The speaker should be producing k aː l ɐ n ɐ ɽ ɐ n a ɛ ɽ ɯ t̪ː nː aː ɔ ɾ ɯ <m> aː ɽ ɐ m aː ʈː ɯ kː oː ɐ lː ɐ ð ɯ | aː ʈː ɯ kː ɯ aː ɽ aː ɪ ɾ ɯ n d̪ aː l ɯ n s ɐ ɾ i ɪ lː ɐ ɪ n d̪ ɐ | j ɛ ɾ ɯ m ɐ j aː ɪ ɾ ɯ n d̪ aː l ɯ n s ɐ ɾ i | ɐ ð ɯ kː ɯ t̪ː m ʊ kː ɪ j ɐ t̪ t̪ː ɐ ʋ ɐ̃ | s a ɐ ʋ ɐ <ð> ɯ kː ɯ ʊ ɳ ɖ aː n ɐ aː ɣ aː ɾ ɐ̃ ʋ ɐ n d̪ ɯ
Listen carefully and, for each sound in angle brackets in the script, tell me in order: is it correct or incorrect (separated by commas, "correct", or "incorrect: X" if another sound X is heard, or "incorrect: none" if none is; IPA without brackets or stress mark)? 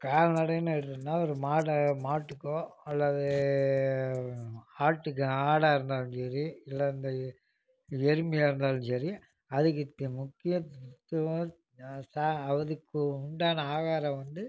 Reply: correct, correct